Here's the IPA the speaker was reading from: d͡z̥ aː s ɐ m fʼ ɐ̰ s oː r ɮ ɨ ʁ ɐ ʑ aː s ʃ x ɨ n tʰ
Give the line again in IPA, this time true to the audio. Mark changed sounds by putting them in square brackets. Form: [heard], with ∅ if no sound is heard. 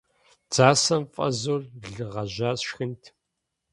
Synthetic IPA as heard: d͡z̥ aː s ɐ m fʼ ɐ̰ [z] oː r ɮ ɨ ʁ ɐ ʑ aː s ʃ x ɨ n tʰ